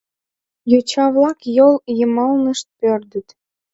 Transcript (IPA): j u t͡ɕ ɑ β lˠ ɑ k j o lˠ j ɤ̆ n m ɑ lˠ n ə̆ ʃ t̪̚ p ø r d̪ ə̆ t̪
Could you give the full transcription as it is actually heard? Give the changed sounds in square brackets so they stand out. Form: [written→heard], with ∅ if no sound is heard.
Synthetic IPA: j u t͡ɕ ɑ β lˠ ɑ k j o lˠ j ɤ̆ [n→∅] m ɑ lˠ n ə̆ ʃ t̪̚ p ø r d̪ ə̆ t̪